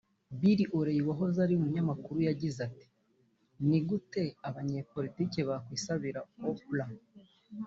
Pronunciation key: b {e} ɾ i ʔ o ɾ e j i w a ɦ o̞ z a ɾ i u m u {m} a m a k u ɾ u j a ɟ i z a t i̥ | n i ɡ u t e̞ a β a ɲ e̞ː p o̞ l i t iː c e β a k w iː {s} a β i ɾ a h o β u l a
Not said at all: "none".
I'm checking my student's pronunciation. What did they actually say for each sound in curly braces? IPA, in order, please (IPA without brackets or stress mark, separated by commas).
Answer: i, ɲ, s